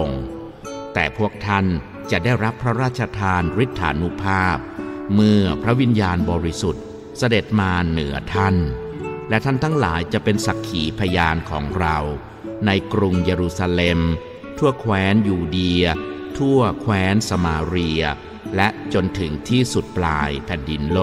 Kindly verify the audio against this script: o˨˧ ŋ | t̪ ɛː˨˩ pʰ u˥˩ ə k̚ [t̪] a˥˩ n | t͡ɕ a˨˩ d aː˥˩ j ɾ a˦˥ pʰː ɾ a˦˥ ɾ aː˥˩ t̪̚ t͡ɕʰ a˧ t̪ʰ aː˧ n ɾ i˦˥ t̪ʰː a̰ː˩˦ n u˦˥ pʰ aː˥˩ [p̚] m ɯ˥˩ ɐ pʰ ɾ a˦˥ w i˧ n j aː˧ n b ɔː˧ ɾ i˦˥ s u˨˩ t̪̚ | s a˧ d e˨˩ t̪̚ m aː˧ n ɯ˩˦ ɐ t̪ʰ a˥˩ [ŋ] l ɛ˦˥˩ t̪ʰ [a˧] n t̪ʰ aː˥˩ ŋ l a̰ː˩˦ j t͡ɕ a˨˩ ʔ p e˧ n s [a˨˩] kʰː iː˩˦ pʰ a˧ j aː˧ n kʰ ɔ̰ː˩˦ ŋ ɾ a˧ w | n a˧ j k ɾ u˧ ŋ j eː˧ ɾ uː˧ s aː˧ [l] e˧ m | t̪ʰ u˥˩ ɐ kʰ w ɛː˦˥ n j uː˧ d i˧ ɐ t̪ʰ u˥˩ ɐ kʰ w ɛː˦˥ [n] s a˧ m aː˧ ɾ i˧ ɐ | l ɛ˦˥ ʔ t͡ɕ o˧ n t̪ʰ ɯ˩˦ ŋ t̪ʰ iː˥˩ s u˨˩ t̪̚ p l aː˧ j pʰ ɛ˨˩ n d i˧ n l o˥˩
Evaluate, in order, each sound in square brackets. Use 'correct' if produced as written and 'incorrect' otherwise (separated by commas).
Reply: incorrect, correct, incorrect, incorrect, correct, correct, correct